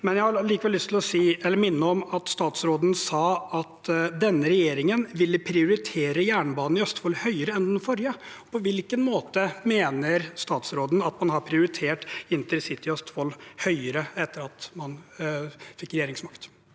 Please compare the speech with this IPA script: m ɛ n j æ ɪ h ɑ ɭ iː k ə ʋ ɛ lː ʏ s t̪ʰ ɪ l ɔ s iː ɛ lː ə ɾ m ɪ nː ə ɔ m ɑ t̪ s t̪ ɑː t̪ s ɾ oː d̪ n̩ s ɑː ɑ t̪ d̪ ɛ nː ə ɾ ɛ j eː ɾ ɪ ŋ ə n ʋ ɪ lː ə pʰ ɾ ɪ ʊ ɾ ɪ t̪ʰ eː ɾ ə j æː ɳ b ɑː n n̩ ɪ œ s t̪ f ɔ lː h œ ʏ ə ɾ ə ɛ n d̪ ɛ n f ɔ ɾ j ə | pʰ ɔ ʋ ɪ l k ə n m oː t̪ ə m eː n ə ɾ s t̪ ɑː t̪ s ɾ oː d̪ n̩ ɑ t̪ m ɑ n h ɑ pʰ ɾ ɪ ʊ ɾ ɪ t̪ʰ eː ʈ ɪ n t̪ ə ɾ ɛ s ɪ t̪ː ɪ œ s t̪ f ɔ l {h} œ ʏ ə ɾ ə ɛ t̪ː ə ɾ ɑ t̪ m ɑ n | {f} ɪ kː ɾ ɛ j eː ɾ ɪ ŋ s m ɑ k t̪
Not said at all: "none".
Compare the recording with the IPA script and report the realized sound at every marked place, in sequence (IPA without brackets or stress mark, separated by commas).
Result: h, f